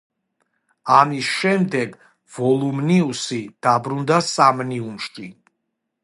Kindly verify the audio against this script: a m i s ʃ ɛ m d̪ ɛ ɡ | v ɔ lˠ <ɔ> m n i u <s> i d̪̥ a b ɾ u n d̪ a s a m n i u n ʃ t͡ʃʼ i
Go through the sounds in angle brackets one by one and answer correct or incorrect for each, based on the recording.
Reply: incorrect: u, correct

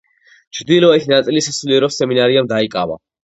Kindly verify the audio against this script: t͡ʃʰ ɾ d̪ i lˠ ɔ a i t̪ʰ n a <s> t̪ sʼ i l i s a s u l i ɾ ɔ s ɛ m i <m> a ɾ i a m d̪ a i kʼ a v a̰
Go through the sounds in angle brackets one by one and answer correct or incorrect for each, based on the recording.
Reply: incorrect: none, incorrect: n

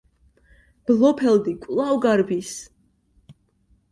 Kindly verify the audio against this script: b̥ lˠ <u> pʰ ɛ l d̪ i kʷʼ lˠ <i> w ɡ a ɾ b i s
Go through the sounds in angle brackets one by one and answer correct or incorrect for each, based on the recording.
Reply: incorrect: ɔ, incorrect: a

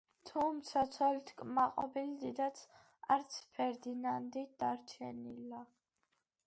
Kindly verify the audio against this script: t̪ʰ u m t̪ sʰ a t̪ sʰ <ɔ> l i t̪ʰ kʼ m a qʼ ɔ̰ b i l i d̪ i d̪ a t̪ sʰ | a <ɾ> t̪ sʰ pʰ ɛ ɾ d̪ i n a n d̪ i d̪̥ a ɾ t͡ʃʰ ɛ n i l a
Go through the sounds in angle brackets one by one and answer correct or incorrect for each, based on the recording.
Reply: correct, correct

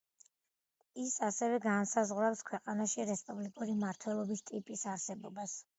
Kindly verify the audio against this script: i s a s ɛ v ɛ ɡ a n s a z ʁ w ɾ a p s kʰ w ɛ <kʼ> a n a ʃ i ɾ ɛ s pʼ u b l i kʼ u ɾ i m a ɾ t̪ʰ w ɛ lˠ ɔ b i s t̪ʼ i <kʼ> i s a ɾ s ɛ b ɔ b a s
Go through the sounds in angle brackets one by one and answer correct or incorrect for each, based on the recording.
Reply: incorrect: qʼ, incorrect: pʼ

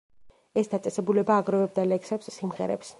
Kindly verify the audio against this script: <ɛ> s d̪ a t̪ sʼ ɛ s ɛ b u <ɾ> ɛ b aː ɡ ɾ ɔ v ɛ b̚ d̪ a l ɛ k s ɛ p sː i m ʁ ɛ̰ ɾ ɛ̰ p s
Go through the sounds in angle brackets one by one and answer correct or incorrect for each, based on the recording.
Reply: correct, incorrect: l

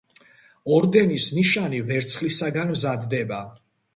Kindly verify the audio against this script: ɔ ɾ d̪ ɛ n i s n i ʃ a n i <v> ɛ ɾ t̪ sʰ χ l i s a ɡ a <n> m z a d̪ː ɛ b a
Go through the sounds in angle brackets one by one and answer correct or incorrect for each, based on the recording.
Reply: correct, correct

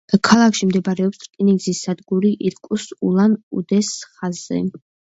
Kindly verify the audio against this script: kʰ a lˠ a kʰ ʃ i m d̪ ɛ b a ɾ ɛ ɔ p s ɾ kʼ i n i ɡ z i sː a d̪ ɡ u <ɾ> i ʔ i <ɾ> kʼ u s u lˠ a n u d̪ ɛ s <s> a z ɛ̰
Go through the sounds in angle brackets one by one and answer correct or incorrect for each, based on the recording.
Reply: correct, correct, incorrect: χ

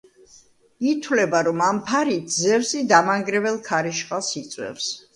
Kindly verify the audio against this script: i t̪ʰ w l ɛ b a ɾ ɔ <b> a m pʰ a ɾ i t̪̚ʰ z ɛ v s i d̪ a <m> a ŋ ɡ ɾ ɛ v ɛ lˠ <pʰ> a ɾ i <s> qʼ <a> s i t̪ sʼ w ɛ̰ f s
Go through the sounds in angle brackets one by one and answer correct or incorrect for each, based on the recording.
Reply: incorrect: m, correct, incorrect: kʰ, incorrect: ʃ, correct

